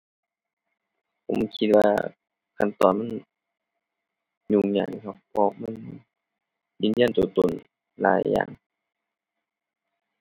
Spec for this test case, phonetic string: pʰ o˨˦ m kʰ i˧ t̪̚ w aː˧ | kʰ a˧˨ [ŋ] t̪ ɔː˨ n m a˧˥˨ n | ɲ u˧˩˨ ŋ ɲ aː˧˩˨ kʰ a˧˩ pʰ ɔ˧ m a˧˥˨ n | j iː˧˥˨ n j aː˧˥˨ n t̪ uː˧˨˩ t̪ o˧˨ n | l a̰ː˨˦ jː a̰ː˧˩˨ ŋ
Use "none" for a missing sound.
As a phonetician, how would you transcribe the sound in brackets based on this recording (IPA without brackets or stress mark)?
n